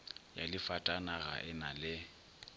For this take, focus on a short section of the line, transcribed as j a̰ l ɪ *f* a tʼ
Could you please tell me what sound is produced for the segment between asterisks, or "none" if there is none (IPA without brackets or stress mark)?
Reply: f